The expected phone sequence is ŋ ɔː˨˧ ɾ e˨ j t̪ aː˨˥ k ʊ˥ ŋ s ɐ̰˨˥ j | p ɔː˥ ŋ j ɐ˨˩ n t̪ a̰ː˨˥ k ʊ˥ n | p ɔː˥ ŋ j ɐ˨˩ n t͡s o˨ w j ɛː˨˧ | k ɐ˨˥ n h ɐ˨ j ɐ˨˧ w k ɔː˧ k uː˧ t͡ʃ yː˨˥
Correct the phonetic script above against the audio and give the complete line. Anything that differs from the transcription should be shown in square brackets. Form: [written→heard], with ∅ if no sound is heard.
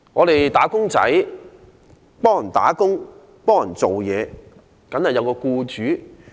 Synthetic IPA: ŋ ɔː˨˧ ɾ e˨ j t̪ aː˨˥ k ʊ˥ ŋ [s→t͡s] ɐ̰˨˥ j | p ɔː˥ ŋ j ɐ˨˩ n t̪ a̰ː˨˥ k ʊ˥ [n→ŋ] | p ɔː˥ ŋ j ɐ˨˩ n t͡s o˨ w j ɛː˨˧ | k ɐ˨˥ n h ɐ˨ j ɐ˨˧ w k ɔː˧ k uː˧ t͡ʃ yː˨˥